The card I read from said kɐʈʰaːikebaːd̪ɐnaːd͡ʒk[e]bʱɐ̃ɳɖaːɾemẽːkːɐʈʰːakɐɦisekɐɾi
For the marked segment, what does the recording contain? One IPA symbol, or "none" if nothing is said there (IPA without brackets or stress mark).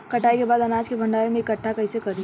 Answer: e